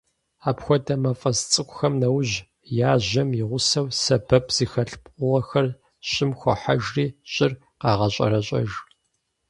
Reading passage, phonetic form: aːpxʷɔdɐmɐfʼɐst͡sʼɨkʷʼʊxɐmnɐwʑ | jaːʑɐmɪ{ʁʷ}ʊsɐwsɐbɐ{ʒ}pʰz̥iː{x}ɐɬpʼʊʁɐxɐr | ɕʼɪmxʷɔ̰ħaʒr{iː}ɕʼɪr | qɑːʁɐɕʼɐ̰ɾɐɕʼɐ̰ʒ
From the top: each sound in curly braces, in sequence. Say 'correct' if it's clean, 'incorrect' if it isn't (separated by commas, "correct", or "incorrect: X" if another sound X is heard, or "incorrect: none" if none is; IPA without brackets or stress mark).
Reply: correct, incorrect: none, correct, correct